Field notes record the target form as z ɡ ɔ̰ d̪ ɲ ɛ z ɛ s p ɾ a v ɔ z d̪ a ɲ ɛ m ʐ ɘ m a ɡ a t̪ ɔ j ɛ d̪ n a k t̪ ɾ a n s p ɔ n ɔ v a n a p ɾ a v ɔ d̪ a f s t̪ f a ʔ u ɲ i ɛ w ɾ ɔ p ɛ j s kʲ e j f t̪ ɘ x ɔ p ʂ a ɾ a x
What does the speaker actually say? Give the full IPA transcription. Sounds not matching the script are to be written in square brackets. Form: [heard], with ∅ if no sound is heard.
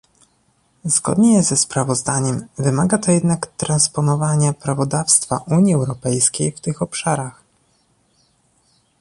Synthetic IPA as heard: z ɡ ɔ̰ d̪ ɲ ɛ z ɛ s p ɾ a v ɔ z d̪ a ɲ ɛ m [v] ɘ m a ɡ a t̪ ɔ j ɛ d̪ n a k t̪ ɾ a n s p ɔ n ɔ v a [ɲ] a p ɾ a v ɔ d̪ a f s t̪ f a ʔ u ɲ i ɛ w ɾ ɔ p ɛ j s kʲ e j f t̪ ɘ x ɔ p ʂ a ɾ a x